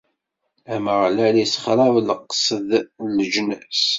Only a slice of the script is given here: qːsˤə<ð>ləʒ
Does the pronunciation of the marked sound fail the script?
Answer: no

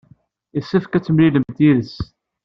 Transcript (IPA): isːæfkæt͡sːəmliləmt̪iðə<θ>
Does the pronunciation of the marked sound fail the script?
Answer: yes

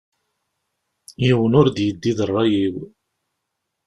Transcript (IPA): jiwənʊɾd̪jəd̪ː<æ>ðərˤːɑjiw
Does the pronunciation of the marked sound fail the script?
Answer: yes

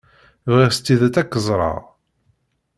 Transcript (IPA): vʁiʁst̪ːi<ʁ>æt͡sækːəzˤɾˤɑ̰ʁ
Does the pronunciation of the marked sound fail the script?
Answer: yes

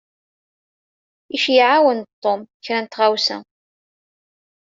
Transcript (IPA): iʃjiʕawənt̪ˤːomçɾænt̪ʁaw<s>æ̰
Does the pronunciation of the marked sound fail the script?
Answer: no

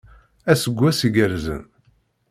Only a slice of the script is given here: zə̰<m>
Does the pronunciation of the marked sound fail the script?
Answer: yes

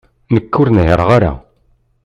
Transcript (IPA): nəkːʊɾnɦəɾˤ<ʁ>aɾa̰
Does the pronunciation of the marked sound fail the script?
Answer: no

